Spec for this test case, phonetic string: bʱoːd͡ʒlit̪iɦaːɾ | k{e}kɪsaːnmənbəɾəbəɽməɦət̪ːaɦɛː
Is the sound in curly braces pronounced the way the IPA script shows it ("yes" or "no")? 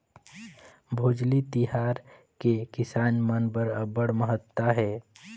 yes